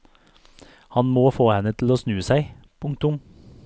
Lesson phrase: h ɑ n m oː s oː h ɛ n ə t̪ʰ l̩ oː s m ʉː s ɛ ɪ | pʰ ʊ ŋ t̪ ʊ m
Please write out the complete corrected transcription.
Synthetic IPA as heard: h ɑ n m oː f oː h ɛ n ə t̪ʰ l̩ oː s n ʉː s æ ɪ | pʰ ʊ ŋ t̪ ʊ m